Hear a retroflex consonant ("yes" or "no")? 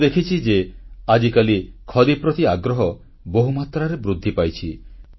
no